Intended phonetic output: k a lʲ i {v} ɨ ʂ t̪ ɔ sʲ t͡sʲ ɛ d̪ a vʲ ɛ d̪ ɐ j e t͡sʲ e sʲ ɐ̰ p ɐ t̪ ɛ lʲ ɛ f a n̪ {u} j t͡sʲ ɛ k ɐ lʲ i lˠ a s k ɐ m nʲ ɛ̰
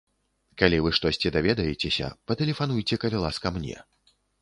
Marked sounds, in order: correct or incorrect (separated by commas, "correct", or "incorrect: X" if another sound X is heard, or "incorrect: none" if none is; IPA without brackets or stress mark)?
correct, correct